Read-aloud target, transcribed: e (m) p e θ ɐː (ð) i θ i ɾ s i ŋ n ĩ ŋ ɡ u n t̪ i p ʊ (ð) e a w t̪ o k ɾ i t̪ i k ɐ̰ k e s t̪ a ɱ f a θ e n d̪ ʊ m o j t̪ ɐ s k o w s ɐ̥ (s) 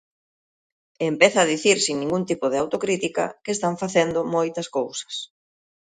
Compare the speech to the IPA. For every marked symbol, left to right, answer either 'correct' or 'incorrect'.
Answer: correct, correct, correct, correct

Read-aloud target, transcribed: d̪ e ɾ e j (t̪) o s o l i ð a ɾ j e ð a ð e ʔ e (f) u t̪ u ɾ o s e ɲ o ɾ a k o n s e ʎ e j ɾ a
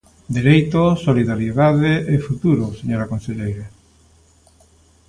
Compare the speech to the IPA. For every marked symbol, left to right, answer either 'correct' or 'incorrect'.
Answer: correct, correct

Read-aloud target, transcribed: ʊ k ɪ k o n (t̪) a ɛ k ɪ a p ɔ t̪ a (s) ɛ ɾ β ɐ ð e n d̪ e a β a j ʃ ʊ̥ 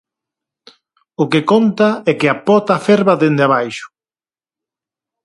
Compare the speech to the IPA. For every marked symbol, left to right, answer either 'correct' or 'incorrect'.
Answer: correct, incorrect

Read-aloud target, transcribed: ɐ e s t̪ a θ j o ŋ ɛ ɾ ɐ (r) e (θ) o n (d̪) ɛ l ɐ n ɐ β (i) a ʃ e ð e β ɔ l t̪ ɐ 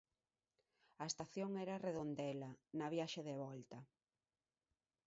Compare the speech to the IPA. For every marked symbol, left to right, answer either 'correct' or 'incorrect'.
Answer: correct, incorrect, correct, incorrect

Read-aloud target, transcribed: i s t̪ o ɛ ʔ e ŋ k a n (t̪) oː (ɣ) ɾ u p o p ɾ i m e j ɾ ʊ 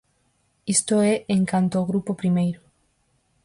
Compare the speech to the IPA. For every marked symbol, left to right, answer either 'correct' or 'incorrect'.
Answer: correct, correct

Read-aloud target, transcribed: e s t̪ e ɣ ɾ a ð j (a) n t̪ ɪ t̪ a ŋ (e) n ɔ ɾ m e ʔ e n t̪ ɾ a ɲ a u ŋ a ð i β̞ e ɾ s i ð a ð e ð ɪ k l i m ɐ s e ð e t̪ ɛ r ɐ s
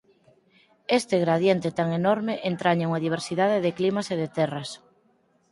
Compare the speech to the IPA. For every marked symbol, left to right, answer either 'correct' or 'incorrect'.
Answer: incorrect, correct

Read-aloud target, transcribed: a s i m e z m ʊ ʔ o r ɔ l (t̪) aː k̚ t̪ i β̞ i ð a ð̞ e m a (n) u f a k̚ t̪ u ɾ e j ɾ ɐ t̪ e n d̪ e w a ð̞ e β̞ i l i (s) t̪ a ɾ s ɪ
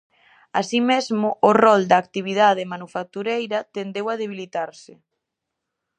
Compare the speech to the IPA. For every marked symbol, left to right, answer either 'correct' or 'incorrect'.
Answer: incorrect, correct, incorrect

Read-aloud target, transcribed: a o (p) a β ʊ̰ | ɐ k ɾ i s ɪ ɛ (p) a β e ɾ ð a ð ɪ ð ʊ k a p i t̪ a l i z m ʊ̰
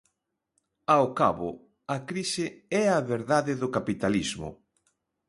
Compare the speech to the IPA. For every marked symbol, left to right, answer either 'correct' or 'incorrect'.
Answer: incorrect, incorrect

